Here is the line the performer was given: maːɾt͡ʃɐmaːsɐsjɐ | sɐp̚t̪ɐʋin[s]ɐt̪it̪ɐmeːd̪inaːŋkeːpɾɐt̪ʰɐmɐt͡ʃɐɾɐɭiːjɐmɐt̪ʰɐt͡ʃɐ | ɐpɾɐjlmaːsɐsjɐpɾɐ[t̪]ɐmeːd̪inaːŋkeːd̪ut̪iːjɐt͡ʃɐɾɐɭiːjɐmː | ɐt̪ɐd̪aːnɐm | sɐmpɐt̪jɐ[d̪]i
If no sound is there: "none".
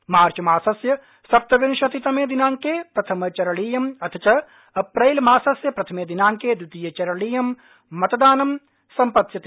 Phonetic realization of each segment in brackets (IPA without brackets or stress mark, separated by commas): ʃ, t̪ʰ, t̪